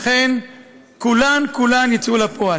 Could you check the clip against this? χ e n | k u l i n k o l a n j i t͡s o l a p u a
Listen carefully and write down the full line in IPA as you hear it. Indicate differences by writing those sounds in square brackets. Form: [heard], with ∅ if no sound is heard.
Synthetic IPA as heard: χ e n | k u l [a] n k [u] l a n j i t͡s [u] l a p [o] a